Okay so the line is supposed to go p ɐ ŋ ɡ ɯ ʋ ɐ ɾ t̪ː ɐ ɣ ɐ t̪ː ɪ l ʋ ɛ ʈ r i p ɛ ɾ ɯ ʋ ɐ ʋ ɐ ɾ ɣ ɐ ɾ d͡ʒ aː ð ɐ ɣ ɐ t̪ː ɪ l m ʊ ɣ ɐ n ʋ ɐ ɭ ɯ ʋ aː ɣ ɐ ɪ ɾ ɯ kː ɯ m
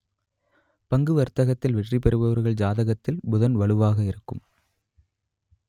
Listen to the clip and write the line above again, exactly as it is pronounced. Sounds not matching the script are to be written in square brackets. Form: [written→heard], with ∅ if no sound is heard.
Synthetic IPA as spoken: p ɐ ŋ ɡ ɯ ʋ ɐ ɾ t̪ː ɐ ɣ ɐ t̪ː ɪ l ʋ ɛ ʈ r i p ɛ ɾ ɯ ʋ ɐ ʋ ɐ ɾ ɣ ɐ [ɾ→ɭ] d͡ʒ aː ð ɐ ɣ ɐ t̪ː ɪ l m ʊ [ɣ→ð] ɐ n ʋ ɐ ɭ ɯ ʋ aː ɣ ɐ ɪ ɾ ɯ kː ɯ m